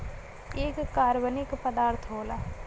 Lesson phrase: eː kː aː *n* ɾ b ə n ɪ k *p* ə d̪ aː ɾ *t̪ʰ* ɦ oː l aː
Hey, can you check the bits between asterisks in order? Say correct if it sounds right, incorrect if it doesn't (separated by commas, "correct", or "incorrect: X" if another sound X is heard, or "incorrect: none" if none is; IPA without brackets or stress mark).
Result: incorrect: none, correct, correct